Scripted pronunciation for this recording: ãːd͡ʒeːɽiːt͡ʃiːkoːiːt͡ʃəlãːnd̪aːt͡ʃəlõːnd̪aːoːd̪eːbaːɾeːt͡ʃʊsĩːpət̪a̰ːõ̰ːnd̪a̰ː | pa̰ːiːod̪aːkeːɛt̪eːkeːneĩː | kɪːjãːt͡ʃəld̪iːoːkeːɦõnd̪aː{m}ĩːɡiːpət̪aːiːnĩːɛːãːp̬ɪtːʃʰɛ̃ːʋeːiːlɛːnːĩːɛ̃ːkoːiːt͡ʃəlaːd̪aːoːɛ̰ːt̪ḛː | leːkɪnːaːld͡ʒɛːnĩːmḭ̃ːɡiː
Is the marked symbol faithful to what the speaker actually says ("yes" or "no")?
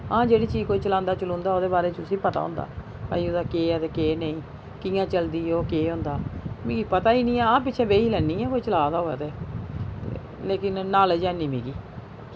yes